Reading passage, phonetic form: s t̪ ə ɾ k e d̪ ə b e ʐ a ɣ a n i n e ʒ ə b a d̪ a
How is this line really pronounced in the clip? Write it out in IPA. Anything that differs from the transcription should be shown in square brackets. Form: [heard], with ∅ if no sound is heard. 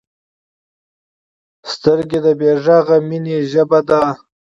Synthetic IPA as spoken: s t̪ ə ɾ [ɡ] e d̪ ə b e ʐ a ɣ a [m] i n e ʒ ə b a d̪ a